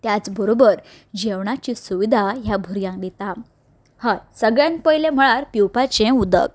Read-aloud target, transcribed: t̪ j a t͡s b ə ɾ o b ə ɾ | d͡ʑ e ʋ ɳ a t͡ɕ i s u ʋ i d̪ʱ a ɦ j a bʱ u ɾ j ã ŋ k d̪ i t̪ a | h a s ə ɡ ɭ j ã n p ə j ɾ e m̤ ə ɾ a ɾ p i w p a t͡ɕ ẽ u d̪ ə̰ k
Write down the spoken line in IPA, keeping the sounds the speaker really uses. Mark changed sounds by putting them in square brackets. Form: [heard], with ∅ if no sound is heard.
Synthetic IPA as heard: t̪ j a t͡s b ə ɾ o b ə ɾ | d͡ʑ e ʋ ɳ a t͡ɕ i s u ʋ i d̪ʱ a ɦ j a bʱ u ɾ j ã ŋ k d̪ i t̪ a | h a s ə ɡ ɭ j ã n p ə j [l] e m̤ ə [ɭ] a ɾ p i w p a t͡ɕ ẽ u d̪ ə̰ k